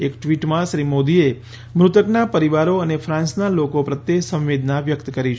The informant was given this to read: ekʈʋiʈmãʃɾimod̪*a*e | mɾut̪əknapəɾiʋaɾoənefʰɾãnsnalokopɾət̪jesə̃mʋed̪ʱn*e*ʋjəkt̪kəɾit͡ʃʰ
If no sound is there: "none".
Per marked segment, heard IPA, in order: i, a

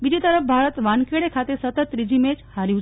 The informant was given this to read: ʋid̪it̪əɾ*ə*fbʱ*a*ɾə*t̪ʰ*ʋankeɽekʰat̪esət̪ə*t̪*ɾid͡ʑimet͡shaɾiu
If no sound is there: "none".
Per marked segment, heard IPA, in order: ə, a, t̪, t̪

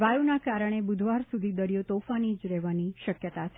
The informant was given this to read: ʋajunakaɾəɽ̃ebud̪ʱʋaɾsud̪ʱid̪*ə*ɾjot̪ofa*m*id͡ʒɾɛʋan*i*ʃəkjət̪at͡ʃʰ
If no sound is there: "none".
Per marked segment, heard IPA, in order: ə, n, i

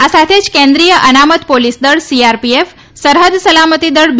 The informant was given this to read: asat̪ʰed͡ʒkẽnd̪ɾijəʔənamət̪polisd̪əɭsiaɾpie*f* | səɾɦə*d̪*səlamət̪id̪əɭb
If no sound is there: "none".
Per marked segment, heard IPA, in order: f, d̪

